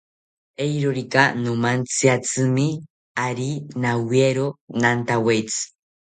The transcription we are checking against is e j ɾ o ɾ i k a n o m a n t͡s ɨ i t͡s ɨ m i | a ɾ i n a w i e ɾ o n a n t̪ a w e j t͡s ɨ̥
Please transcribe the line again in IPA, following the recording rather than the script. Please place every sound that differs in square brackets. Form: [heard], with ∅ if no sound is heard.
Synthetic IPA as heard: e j ɾ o ɾ i k a n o m a n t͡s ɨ [a] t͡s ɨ m i | a ɾ i n a w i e ɾ o n a n t̪ a w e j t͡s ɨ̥